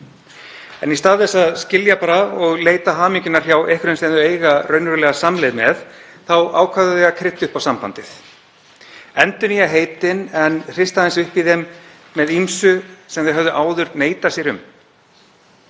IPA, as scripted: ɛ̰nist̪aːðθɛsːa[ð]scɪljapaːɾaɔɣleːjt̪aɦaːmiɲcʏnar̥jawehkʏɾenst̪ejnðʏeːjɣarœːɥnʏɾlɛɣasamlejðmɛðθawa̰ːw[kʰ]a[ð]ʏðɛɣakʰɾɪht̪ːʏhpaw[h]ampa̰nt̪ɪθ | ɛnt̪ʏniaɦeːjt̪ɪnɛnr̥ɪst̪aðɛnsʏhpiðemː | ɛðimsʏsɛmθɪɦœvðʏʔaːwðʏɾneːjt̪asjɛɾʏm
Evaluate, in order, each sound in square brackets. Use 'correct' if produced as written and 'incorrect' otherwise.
correct, correct, correct, incorrect

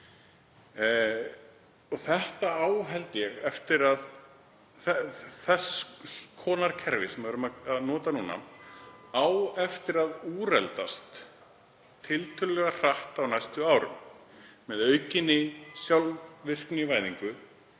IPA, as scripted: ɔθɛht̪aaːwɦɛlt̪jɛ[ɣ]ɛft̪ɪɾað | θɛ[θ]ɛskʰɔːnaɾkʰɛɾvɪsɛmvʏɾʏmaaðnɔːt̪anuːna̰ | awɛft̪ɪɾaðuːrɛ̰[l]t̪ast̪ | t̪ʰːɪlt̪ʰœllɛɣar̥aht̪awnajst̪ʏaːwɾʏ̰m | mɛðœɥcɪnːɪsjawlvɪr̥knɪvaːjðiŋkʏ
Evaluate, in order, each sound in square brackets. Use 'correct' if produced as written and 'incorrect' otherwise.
correct, correct, correct

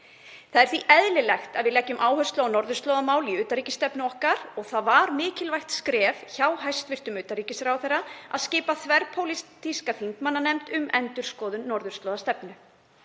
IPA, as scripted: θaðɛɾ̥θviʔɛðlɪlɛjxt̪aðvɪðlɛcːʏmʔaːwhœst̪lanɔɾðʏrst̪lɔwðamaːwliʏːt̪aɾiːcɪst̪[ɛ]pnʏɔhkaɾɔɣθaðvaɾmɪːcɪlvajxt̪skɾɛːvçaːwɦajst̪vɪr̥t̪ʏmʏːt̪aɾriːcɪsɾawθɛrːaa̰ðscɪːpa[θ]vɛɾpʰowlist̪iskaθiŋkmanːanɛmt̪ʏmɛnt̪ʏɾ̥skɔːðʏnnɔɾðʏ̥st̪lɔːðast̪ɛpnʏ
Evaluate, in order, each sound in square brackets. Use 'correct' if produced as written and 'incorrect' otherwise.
correct, correct

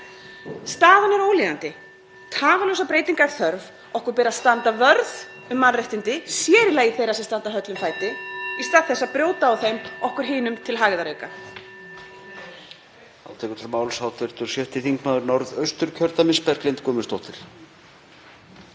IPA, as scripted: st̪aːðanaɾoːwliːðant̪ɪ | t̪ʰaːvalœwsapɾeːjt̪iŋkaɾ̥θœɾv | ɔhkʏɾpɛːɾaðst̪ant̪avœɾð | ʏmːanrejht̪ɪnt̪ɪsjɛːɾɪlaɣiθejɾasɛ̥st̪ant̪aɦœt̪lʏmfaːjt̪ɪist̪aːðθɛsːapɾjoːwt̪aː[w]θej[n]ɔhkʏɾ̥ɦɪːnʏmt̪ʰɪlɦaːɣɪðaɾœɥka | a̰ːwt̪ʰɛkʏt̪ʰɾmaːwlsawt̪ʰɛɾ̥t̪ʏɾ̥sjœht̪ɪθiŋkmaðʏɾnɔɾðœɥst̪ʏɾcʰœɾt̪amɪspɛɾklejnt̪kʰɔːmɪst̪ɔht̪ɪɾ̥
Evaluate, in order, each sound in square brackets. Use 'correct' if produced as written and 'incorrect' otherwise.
correct, incorrect

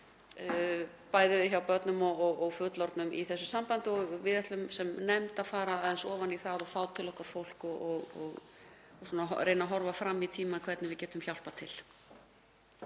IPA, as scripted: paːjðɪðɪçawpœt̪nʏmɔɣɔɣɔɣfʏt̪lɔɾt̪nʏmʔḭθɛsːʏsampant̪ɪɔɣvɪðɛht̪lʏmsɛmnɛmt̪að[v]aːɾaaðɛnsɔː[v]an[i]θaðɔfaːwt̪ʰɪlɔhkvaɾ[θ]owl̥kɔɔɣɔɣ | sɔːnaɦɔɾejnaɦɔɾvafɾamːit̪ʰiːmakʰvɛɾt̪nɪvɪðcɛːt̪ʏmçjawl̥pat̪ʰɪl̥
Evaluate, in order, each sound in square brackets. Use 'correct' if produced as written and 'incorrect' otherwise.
incorrect, correct, correct, incorrect

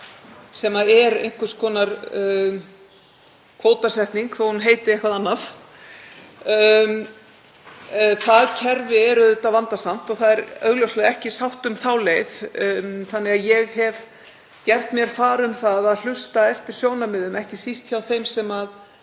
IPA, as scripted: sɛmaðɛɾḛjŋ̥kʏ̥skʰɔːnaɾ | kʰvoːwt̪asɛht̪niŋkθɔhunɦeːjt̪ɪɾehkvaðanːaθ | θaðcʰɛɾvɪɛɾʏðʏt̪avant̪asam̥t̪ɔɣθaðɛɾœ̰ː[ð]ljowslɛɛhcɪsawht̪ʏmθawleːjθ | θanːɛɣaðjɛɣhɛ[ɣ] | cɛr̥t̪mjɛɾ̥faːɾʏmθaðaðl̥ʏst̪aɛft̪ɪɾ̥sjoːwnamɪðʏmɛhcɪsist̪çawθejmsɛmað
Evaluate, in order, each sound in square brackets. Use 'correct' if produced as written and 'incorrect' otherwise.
incorrect, incorrect

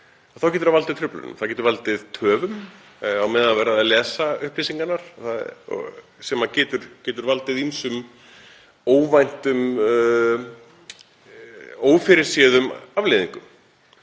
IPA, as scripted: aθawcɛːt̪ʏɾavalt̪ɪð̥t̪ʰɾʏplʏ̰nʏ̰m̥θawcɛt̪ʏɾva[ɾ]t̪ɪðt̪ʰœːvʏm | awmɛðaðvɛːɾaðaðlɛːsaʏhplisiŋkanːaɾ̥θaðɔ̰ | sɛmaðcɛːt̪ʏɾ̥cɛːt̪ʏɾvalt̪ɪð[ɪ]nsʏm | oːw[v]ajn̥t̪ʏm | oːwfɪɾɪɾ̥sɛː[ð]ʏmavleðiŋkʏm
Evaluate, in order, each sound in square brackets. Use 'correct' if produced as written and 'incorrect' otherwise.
incorrect, incorrect, correct, correct

